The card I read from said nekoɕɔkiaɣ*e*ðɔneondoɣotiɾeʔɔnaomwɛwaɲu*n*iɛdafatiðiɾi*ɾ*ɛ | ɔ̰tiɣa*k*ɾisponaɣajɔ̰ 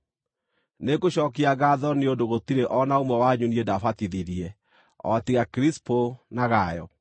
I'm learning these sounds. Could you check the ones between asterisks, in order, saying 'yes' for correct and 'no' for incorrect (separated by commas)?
no, yes, no, yes